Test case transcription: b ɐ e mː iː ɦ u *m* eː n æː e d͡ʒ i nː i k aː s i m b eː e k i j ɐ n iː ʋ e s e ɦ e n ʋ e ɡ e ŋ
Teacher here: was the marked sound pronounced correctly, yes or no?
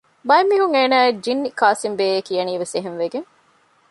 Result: no